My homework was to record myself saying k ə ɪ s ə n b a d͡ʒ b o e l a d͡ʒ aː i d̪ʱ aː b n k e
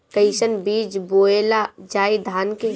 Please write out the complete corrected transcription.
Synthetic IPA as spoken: k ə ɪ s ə n b i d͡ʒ b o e l a d͡ʒ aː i d̪ʱ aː n k e